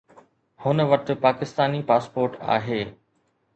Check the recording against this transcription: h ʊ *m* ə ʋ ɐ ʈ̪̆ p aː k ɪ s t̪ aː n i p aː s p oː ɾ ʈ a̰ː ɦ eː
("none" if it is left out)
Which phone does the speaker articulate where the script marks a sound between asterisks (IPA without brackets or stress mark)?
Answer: n